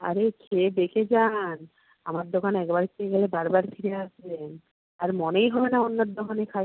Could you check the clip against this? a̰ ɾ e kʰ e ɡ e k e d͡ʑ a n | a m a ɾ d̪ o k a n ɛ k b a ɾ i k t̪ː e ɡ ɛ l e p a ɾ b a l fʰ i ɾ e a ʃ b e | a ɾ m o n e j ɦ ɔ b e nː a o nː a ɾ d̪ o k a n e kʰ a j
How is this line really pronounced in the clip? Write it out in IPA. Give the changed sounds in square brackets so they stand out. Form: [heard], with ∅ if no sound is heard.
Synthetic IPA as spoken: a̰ ɾ e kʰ e [b] e k e d͡ʑ a n | a m a ɾ d̪ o k a n ɛ k b a ɾ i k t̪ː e ɡ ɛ l e [b] a ɾ b a [ɾ] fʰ i ɾ e a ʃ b e | a ɾ m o n e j ɦ ɔ b e [n] a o nː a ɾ d̪ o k a n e kʰ a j